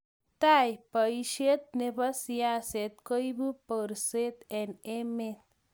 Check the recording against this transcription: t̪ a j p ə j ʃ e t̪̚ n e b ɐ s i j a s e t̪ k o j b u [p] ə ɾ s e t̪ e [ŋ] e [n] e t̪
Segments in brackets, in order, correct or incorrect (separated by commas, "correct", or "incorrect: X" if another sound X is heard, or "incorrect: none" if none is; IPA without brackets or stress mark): correct, incorrect: n, incorrect: m